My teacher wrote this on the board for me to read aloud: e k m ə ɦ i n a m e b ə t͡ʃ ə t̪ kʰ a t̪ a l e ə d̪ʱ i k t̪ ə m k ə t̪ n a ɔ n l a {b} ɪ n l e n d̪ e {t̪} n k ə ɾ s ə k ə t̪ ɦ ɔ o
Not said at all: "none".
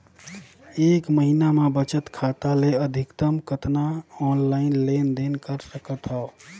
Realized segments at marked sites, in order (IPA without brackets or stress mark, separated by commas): none, none